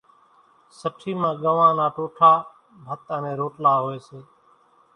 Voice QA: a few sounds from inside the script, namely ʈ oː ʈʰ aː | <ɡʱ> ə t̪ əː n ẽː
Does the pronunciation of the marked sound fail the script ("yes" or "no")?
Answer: yes